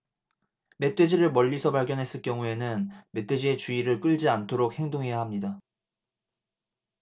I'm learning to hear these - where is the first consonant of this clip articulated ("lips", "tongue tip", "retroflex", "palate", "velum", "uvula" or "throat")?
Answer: lips